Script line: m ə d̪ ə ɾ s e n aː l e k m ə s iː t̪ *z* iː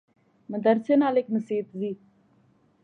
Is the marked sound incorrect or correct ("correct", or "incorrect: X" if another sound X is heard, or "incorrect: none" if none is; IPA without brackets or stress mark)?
correct